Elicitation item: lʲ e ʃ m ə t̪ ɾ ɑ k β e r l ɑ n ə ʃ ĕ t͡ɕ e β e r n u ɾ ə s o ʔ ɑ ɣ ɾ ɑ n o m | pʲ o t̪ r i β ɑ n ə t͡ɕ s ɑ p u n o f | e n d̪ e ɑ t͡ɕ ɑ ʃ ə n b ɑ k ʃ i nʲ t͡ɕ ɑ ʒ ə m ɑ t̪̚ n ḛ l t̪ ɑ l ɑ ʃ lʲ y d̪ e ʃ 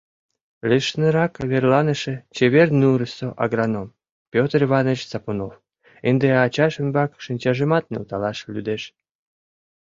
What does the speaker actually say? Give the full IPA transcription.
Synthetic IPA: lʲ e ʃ n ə ɾ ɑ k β e r l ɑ n ə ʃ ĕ t͡ɕ e β e r n u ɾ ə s o ʔ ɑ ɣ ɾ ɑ n o m | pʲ o t̪ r i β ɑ n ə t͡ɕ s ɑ p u n o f | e n d̪ e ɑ t͡ɕ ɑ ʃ ə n b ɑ k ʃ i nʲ t͡ɕ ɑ ʒ ə m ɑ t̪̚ n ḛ l t̪ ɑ l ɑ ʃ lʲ y d̪ e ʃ